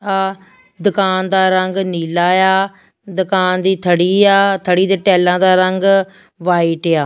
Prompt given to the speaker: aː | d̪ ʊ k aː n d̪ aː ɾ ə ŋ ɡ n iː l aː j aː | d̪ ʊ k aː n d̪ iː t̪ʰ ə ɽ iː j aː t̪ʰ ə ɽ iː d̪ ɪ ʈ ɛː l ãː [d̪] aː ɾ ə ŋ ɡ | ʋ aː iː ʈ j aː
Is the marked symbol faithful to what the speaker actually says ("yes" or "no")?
yes